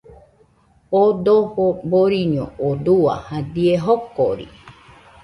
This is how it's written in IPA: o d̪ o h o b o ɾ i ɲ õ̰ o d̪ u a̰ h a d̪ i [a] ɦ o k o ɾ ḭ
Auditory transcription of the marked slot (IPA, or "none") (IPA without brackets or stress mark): e